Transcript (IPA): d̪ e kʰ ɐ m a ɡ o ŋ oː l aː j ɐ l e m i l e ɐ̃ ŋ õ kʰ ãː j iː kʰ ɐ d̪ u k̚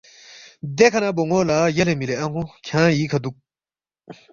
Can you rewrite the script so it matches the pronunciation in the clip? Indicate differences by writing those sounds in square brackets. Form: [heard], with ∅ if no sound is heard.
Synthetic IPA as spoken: d̪ e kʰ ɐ [n] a [b] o ŋ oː l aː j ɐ l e m i l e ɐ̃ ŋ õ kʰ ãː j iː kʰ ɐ d̪ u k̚